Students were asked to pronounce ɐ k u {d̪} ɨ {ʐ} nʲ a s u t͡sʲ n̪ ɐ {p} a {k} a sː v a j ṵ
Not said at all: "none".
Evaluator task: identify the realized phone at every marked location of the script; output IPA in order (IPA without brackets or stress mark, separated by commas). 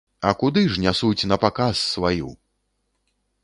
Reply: d̪, ʐ, p, k